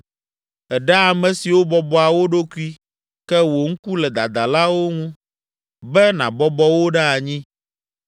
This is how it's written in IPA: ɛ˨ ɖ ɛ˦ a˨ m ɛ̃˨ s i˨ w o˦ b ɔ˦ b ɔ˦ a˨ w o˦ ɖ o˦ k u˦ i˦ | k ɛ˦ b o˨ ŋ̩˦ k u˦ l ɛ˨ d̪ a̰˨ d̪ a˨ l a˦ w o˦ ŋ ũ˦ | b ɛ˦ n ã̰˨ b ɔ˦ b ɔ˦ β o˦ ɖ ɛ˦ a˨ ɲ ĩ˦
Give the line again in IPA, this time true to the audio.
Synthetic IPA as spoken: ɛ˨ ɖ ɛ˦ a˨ m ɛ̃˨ s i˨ w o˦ b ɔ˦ b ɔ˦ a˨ w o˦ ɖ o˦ k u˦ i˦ | k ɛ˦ w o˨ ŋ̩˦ k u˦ l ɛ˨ d̪ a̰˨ d̪ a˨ l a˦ w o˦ ŋ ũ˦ | b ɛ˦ n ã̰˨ b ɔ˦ b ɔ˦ w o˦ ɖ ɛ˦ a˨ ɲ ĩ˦